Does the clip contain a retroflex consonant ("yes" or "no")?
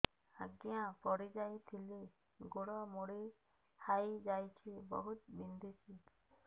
yes